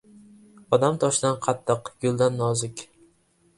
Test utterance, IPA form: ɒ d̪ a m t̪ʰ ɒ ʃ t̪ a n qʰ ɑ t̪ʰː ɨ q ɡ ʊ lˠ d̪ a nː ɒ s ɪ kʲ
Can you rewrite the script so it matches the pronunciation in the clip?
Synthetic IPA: ɒ d̪ a m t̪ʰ ɒ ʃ d̪ a n qʰ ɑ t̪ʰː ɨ q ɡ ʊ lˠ d̪ a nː ɒ z ɪ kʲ